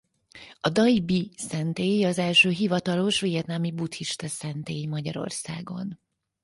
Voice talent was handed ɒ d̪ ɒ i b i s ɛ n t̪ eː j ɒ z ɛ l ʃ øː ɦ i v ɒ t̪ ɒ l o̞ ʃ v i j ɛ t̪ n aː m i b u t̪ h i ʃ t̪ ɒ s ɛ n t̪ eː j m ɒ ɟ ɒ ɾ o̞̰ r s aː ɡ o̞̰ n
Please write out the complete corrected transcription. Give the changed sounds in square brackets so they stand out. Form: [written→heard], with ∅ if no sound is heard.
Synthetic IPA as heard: ɒ d̪ ɒ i b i s ɛ n t̪ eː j ɒ z ɛ l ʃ øː ɦ i v ɒ t̪ ɒ l o̞ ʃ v i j ɛ t̪ n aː m i b u t̪ h i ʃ t̪ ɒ s ɛ n t̪ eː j m ɒ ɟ ɒ ɾ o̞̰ r s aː ɡ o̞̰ n